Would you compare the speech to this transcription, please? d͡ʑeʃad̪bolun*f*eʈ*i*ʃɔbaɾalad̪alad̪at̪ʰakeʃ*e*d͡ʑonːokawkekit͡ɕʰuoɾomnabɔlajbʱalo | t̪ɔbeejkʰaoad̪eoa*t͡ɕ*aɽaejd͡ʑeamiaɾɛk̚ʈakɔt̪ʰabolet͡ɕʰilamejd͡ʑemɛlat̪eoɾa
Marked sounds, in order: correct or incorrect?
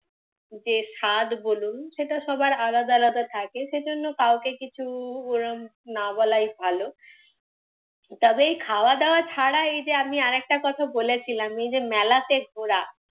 incorrect: ʃ, incorrect: a, correct, incorrect: t͡ɕʰ

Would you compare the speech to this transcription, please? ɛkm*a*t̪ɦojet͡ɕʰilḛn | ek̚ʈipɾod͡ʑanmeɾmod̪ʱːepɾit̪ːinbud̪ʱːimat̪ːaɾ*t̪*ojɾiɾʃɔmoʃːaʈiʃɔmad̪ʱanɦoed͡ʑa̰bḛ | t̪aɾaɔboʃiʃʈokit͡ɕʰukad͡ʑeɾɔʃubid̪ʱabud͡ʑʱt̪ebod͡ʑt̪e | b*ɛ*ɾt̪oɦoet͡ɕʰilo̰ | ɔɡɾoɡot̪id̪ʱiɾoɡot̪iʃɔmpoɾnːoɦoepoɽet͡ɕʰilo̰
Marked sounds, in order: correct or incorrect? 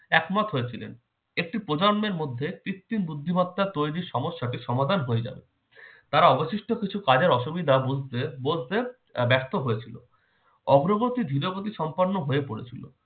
correct, correct, correct

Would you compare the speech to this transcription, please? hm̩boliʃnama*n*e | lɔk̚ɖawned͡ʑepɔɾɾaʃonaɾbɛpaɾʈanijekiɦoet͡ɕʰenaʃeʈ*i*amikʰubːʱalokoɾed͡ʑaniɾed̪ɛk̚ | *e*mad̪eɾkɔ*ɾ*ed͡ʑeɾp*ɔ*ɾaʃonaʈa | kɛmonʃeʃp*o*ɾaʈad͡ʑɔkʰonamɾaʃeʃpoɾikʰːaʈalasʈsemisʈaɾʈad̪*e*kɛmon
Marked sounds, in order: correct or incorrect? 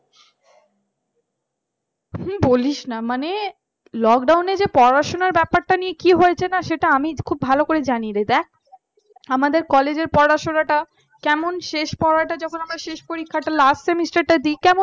correct, incorrect: a, incorrect: a, incorrect: l, correct, incorrect: ɔ, incorrect: i

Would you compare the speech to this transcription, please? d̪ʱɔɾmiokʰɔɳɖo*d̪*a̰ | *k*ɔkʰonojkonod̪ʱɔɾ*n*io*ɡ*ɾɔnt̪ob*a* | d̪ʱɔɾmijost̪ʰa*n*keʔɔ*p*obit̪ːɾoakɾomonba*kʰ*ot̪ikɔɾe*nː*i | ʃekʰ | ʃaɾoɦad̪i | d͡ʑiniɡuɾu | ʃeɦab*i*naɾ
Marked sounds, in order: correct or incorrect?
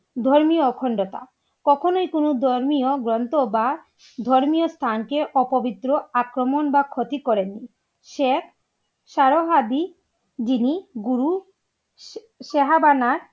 incorrect: t̪, correct, incorrect: m, correct, correct, correct, correct, correct, correct, incorrect: a

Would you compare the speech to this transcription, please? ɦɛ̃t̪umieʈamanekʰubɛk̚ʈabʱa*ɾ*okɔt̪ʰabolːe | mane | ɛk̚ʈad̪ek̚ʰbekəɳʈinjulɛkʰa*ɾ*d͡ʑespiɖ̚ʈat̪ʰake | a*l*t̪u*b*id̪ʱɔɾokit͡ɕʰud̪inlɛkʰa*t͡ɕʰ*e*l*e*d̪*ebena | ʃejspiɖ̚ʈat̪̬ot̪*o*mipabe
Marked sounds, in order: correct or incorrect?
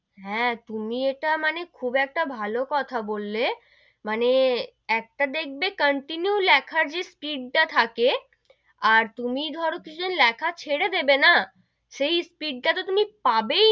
incorrect: l, correct, incorrect: ɾ, incorrect: m, correct, incorrect: ɽ, correct, incorrect: u

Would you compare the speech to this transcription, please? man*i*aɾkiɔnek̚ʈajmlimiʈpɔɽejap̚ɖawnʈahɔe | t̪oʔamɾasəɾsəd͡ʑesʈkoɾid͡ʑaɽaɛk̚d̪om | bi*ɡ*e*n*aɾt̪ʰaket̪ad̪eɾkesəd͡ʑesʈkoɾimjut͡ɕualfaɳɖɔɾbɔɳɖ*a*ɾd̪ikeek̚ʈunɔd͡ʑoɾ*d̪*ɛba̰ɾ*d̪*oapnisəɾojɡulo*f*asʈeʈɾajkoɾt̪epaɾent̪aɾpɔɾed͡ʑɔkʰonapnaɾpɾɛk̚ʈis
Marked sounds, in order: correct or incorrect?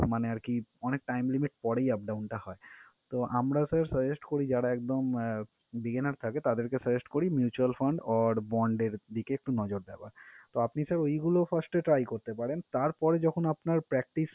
incorrect: e, correct, correct, incorrect: e, correct, incorrect: t̪, correct

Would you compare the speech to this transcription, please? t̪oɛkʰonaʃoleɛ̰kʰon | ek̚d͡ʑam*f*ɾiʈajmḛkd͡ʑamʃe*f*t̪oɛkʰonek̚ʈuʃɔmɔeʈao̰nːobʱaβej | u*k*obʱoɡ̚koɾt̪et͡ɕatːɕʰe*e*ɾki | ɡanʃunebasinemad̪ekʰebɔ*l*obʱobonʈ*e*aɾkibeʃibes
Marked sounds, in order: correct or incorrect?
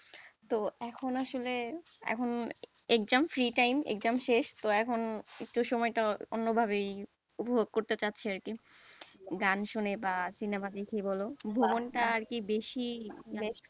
correct, incorrect: ʃ, incorrect: p, incorrect: a, correct, incorrect: a

